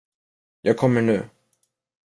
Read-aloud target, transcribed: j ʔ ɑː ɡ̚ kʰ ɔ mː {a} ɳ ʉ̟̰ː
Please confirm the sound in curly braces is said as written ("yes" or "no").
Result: no